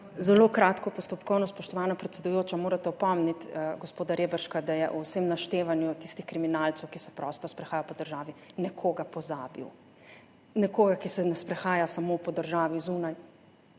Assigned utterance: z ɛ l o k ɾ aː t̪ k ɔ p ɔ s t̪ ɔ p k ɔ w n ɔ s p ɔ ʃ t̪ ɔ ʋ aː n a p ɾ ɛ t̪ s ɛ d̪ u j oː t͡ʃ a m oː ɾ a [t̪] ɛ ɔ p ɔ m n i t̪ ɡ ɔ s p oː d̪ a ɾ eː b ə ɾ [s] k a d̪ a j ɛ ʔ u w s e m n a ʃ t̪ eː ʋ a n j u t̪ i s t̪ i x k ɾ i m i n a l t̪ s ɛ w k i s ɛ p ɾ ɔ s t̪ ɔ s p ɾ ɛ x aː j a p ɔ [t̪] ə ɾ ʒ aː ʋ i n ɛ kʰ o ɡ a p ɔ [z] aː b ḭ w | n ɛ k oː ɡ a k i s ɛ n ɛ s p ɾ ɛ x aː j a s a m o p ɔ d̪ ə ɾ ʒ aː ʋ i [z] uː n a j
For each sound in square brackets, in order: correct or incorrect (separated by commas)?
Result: correct, incorrect, incorrect, correct, correct